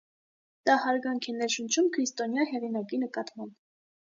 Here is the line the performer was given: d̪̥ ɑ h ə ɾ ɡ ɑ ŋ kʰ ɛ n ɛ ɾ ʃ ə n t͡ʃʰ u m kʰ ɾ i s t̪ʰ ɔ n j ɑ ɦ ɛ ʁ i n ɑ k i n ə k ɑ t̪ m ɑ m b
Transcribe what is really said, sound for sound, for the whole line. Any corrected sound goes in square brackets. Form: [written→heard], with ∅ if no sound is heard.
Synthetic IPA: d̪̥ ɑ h [ə→ɑ] ɾ ɡ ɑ ŋ kʰ ɛ n ɛ ɾ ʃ ə n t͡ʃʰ u m kʰ ɾ i s [t̪ʰ→t̪] ɔ n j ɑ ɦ ɛ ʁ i n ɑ k i n ə k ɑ t̪ m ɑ m b

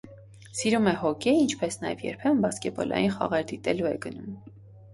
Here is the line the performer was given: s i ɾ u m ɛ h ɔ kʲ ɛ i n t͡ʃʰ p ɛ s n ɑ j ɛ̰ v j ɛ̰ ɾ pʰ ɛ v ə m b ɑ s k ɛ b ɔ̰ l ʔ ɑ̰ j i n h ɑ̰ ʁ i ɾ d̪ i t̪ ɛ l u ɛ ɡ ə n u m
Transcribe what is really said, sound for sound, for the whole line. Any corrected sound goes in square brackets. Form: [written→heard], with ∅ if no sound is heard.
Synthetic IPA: s i ɾ u m ɛ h ɔ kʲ ɛ i n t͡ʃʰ p ɛ s n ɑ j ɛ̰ v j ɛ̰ ɾ pʰ ɛ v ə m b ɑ s k ɛ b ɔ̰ l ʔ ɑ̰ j i n [h→χ] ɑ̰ ʁ [i→ɛ] ɾ d̪ i t̪ ɛ l u ɛ ɡ ə n u m

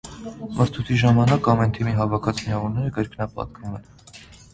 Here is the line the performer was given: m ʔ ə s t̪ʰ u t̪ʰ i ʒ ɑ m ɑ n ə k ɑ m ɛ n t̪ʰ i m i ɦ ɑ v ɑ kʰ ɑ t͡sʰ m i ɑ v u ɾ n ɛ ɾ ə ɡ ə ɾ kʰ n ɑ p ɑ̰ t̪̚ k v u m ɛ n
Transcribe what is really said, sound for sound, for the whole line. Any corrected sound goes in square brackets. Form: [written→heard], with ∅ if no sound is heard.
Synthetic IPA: m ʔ ə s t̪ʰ u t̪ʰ i ʒ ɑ m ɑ n [ə→ɑ] k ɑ m ɛ n t̪ʰ i m i ɦ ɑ v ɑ kʰ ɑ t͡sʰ m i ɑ v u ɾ n ɛ ɾ ə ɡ ə ɾ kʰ n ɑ p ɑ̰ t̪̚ k v u m ɛ n

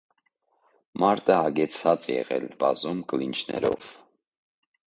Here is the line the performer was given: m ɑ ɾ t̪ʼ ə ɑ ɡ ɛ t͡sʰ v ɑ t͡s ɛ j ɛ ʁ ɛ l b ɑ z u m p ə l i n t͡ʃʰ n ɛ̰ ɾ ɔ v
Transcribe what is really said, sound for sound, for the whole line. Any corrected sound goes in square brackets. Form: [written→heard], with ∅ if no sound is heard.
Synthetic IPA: m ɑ ɾ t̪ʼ ə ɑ ɡ ɛ t͡sʰ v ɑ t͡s ɛ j ɛ ʁ ɛ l b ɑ z u m [p→k] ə l i n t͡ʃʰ n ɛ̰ ɾ ɔ v

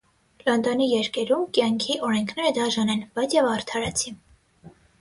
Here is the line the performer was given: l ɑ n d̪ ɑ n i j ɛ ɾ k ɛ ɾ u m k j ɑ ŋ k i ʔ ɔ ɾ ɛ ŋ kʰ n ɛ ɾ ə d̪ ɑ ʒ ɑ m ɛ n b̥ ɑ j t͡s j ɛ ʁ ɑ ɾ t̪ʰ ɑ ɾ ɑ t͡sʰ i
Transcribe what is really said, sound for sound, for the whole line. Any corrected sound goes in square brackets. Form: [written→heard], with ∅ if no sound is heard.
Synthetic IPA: l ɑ n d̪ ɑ n i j ɛ ɾ k ɛ ɾ u m k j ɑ ŋ [k→kʰ] i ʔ ɔ ɾ ɛ ŋ kʰ n ɛ ɾ ə d̪ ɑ ʒ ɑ [m→n] ɛ n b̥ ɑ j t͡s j ɛ [ʁ→v] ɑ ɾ t̪ʰ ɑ ɾ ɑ t͡sʰ i

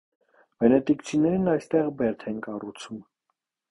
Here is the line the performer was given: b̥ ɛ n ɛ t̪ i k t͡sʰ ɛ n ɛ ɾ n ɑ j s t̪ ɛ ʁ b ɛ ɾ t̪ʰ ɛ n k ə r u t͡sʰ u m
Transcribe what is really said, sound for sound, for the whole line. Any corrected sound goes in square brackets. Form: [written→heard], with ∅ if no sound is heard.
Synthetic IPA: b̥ ɛ n ɛ t̪ i k t͡sʰ [ɛ→i] n ɛ ɾ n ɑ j s t̪ ɛ ʁ b ɛ ɾ t̪ʰ ɛ n k [ə→ɑ] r u t͡sʰ u m

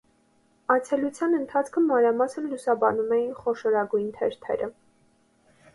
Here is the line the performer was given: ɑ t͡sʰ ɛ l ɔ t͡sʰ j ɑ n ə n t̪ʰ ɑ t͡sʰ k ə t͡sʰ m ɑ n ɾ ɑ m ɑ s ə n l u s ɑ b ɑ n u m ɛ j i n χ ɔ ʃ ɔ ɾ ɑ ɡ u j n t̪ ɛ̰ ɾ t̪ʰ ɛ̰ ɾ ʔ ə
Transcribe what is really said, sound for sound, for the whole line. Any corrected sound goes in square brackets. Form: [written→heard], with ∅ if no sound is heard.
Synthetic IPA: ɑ t͡sʰ ɛ l [ɔ→u] t͡sʰ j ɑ n ə n t̪ʰ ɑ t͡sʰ [k→kʰ] ə [t͡sʰ→∅] m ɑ n ɾ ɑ m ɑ s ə n l u s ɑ b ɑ n u m ɛ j i n χ ɔ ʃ ɔ ɾ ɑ ɡ u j n [t̪→t̪ʰ] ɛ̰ ɾ t̪ʰ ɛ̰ ɾ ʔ ə

